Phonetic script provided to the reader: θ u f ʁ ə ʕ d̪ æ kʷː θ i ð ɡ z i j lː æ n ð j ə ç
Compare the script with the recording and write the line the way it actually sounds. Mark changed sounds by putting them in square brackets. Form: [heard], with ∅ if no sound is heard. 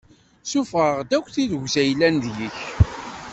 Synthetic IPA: [s] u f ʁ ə [ʁ] d̪ æ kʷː θ i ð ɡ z [æ] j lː æ n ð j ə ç